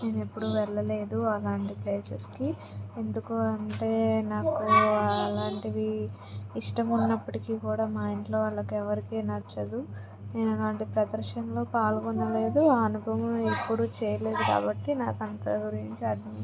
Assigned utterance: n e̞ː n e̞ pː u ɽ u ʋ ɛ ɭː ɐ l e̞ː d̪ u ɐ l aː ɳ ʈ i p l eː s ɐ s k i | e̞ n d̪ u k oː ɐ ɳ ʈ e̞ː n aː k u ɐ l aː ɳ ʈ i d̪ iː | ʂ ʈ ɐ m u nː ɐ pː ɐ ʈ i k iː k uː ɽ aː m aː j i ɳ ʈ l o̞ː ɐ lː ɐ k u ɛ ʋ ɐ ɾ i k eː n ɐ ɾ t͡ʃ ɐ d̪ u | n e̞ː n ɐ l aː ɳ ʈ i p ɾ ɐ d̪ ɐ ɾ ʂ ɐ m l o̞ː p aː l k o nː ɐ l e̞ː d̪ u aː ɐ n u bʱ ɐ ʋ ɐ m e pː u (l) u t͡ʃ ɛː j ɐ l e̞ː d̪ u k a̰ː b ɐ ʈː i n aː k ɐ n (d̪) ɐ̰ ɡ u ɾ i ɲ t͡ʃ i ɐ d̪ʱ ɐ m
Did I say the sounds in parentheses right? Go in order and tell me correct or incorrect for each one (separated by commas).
incorrect, incorrect